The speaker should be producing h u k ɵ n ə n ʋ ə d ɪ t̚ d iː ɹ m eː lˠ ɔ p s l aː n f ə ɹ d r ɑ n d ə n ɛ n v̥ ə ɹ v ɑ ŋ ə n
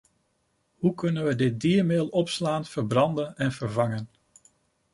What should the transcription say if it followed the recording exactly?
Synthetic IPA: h u k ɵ n ə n ʋ ə d ɪ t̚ d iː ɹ m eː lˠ ɔ p s l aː n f ə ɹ b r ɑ n d ə n ɛ n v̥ ə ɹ v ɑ ŋ ə n

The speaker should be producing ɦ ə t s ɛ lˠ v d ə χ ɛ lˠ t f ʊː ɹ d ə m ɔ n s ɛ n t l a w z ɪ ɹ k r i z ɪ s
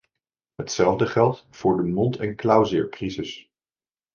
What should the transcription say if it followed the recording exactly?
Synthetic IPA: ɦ ə t s ɛ lˠ v d ə χ ɛ lˠ t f ʊː ɹ d ə m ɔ n t ɛ n k l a w z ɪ ɹ k r i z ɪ s

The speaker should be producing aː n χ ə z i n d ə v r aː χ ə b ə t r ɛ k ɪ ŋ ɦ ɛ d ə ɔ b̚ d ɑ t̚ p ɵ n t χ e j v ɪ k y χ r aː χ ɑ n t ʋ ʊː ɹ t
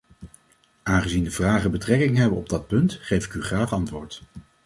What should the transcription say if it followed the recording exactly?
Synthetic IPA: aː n χ ə z i n d ə v r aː χ ə b ə t r ɛ k ɪ ŋ ɦ ɛ b ə ɔ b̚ d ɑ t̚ p ɵ n t χ e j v ɪ k y χ r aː χ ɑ n t ʋ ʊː ɹ t

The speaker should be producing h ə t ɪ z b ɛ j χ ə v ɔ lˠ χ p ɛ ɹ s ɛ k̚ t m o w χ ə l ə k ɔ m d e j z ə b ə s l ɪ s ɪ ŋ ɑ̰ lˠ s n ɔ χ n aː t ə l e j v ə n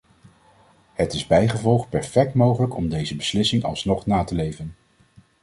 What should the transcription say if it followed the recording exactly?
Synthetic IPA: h ə t ɪ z b ɛ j χ ə v ɔ lˠ χ p ɛ ɹ f ɛ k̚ t m o w χ ə l ə k ɔ m d e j z ə b ə s l ɪ s ɪ ŋ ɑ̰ lˠ s n ɔ χ n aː t ə l e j v ə n

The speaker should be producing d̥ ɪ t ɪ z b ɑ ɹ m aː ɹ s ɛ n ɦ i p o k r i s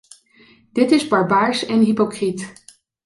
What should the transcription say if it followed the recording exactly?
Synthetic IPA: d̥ ɪ t ɪ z b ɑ ɹ b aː ɹ s ɛ n ɦ i p o k r i t

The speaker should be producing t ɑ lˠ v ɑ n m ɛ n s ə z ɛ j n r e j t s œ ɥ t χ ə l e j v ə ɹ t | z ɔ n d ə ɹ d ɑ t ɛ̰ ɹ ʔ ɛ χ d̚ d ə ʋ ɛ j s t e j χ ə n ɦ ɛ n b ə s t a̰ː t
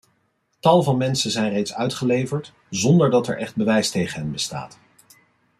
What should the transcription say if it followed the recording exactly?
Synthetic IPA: t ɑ lˠ v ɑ n m ɛ n s ə z ɛ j n r e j t s œ ɥ t χ ə l e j v ə ɹ t | z ɔ n d ə ɹ d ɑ t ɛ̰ ɹ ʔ ɛ χ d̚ b ə ʋ ɛ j s t e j χ ə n ɦ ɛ n b ə s t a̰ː t

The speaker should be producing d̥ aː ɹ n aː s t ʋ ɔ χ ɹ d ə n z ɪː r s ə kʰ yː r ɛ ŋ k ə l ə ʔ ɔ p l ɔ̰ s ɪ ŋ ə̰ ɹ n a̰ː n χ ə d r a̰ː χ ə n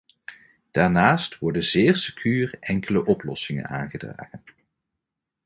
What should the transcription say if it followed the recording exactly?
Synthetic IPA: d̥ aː ɹ n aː s t ʋ ɔ ɹ d ə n z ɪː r s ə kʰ yː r ɛ ŋ k ə l ə ʔ ɔ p l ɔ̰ s ɪ ŋ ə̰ n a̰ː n χ ə d r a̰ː χ ə n

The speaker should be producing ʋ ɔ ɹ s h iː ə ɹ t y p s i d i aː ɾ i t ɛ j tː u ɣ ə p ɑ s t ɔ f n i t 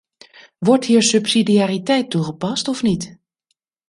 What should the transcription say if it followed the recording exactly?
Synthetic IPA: ʋ ɔ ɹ t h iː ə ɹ s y p s i d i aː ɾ i t ɛ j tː u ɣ ə p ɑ s t ɔ f n i t

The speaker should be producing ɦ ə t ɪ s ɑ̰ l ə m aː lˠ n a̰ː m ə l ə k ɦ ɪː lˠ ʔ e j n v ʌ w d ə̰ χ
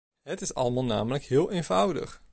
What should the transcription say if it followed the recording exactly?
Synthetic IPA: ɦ ə t ɪ s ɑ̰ l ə m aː lˠ n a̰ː m ə l ə k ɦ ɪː lˠ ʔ e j n v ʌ w d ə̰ χ

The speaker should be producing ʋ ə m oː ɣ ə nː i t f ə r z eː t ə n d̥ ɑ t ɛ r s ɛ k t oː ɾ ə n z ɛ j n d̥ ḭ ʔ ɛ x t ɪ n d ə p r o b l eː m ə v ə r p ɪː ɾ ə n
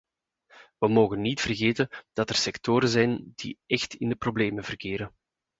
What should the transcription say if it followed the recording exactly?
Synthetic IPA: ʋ ə m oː ɣ ə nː i t f ə r ɣ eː t ə n d̥ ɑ t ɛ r s ɛ k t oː ɾ ə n z ɛ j n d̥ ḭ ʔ ɛ x t ɪ n d ə p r o b l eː m ə v ə r k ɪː ɾ ə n

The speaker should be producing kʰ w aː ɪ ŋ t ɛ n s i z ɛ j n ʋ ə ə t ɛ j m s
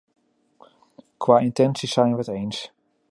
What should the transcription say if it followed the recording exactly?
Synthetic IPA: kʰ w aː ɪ n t ɛ n s i s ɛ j n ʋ ə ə t e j n s

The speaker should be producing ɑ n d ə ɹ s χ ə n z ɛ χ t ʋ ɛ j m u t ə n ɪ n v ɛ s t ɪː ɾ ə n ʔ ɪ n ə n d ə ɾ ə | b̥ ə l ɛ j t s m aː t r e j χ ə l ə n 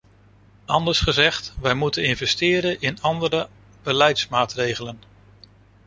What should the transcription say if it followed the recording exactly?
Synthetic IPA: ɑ n d ə ɹ s χ ə z ɛ χ t ʋ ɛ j m u t ə n ɪ n v ɛ s t ɪː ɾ ə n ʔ ɪ n ɑ n d ə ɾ ə | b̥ ə l ɛ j t s m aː t r e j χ ə l ə n

